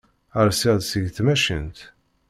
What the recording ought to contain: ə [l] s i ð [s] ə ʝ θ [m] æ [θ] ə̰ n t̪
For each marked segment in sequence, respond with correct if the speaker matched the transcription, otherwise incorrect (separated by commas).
incorrect, correct, correct, incorrect